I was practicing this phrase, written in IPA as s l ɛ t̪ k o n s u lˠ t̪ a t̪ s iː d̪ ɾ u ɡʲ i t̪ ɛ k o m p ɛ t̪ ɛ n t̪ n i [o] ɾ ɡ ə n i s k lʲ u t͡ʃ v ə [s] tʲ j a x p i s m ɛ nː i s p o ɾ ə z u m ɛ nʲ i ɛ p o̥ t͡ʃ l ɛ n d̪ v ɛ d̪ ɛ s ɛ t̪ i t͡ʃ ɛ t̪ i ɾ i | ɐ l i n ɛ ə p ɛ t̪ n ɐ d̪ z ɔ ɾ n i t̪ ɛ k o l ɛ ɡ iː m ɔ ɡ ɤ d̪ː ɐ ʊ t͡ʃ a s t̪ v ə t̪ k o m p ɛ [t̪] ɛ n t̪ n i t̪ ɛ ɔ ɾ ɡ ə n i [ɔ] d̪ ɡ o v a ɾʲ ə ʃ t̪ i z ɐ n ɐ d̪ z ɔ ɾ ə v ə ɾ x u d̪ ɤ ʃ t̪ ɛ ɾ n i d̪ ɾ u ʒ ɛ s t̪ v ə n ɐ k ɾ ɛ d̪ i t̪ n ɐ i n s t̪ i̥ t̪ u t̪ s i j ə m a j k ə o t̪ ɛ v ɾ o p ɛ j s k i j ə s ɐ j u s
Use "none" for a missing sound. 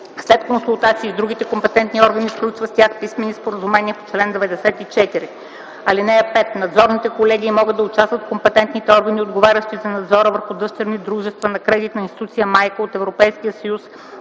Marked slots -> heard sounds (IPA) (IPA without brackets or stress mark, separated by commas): ɔ, s, t̪, o